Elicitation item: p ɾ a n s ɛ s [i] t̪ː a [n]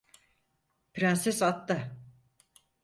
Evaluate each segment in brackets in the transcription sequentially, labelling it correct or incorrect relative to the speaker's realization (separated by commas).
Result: incorrect, incorrect